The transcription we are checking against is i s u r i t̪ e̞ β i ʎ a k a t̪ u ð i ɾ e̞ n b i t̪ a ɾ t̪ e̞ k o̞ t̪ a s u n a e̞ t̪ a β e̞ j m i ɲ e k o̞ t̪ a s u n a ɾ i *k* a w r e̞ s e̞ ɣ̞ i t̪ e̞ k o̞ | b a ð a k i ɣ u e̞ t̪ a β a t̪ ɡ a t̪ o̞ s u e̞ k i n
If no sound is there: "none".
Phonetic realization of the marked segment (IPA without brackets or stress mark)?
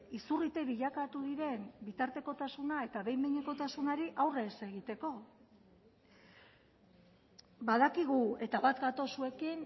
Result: ʔ